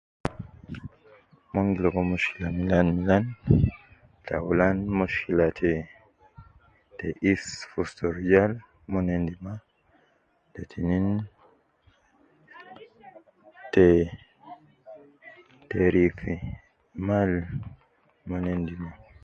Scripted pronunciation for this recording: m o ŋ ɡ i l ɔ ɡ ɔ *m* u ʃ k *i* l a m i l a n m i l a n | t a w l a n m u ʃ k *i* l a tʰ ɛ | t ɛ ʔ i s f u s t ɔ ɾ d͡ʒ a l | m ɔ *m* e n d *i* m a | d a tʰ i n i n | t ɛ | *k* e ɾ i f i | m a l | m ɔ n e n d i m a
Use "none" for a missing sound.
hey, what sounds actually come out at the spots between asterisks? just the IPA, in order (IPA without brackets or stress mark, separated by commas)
m, i, i, n, i, t